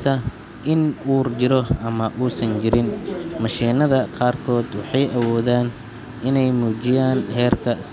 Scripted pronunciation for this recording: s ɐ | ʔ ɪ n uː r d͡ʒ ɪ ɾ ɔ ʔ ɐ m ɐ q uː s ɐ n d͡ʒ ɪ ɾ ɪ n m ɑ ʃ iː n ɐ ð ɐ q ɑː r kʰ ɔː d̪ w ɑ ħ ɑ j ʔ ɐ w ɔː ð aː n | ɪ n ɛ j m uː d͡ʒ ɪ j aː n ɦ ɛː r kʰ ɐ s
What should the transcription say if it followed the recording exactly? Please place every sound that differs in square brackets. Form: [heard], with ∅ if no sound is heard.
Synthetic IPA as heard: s ɐ | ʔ ɪ n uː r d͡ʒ ɪ ɾ ɔ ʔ ɐ m ɐ [ʔ] uː s ɐ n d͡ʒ ɪ ɾ ɪ n m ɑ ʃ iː n ɐ ð ɐ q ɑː r kʰ ɔː d̪ w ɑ ħ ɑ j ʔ ɐ w ɔː ð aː n | ɪ n ɛ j m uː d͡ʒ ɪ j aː n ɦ ɛː r kʰ ɐ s